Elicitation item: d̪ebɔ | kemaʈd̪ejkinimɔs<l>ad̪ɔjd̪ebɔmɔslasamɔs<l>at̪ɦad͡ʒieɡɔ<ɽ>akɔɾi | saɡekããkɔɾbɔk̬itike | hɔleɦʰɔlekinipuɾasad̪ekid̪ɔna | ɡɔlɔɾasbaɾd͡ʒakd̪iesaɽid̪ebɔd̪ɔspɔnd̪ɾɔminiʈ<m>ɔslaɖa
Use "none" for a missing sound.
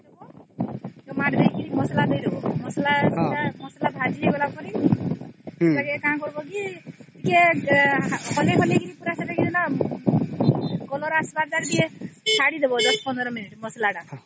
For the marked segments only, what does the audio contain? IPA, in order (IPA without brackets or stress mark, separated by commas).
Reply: l, l, l, m